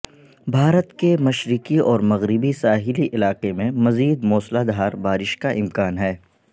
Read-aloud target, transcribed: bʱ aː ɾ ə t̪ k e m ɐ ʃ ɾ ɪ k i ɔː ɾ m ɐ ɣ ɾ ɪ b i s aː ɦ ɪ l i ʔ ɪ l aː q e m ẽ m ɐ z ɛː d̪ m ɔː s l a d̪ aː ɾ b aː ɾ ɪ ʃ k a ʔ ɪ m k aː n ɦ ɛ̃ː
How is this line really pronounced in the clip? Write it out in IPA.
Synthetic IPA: bʱ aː ɾ ə t̪ k e m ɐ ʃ ɾ ɪ k i ɔː ɾ m ɐ ɣ ɾ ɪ b i s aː ɦ ɪ l i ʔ ɪ l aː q e m ẽ m ɐ z iː d̪ m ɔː s l a d̪ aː ɾ b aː ɾ ɪ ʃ k a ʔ ɪ m k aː n ɦ ɛː